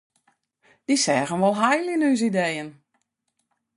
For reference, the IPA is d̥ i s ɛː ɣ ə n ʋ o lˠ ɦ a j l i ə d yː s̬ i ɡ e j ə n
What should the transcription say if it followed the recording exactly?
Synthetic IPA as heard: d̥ i s ɛː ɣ ə n ʋ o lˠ ɦ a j l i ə n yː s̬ i d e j ə n